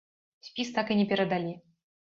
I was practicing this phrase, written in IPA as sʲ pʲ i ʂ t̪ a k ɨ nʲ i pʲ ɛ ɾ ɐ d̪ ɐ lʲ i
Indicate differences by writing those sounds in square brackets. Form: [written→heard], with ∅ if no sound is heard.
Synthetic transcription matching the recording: sʲ pʲ i [ʂ→s] t̪ a k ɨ nʲ [i→ɛ] pʲ ɛ ɾ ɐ d̪ [ɐ→a] lʲ i